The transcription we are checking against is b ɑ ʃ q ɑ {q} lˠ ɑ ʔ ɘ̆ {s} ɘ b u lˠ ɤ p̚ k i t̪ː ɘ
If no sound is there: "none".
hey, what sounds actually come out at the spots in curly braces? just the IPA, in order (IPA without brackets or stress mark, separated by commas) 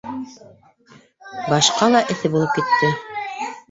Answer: none, θ